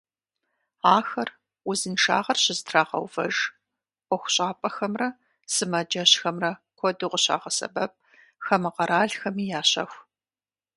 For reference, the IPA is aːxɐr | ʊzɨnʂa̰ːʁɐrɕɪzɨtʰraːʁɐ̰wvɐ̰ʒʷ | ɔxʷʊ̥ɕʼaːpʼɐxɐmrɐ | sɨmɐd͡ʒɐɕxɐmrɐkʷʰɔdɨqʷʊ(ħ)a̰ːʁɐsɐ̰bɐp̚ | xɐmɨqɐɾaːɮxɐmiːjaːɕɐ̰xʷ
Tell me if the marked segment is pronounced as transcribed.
no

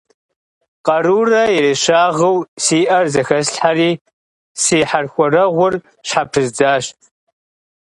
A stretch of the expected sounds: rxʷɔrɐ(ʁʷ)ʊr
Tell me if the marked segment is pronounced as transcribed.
yes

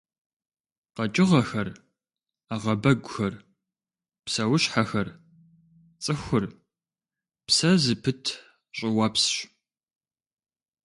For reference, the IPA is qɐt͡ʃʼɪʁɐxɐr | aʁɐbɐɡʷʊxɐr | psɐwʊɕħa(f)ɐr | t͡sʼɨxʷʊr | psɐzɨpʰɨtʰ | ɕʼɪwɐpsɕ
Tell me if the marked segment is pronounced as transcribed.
no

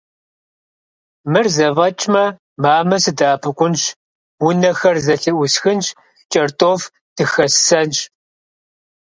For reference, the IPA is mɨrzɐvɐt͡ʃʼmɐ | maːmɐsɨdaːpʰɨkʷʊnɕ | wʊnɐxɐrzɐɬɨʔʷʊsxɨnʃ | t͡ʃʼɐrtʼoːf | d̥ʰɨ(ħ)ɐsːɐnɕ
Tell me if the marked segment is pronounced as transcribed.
no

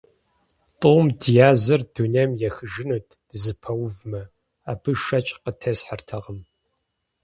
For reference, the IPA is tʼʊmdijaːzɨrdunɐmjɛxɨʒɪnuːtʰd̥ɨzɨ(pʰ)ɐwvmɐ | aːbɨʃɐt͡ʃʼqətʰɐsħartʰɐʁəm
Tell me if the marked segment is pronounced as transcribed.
yes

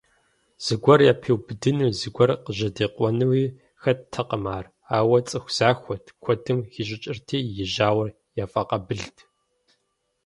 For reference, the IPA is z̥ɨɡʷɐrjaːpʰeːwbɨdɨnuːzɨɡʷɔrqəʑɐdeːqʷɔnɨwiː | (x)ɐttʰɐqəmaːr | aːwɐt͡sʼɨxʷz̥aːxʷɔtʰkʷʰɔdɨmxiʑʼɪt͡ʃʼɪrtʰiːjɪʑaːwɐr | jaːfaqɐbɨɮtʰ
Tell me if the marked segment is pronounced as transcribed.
yes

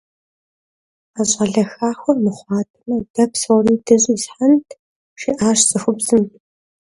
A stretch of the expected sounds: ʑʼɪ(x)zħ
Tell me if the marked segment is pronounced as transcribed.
no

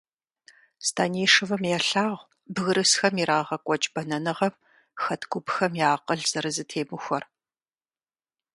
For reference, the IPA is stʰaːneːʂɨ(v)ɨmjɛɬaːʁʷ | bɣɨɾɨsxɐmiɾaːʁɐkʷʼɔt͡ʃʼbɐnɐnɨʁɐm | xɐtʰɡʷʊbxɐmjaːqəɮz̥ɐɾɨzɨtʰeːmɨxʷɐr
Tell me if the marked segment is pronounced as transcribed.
yes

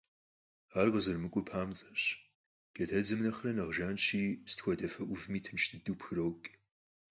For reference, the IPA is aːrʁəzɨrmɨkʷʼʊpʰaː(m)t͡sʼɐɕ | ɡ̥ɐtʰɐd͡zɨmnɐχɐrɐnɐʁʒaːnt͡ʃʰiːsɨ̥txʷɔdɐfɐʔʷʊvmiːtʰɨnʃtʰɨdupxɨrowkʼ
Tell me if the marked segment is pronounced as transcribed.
yes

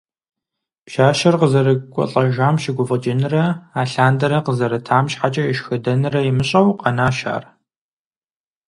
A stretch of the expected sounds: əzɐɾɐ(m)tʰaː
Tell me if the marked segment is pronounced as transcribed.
no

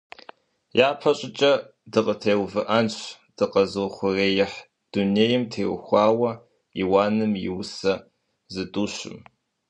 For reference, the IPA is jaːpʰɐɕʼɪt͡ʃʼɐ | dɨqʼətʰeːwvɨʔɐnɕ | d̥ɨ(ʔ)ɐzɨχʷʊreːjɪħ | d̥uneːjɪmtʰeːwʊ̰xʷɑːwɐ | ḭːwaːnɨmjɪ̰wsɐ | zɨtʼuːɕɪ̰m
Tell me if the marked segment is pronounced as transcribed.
no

